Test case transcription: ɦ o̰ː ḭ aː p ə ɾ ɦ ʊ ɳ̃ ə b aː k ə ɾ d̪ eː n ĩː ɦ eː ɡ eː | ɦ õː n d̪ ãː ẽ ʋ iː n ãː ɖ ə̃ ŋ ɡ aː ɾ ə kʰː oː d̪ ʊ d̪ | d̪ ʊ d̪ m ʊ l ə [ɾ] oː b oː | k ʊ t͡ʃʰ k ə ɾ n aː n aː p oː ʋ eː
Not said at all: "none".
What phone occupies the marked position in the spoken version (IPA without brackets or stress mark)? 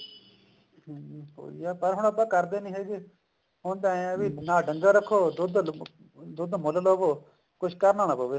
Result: l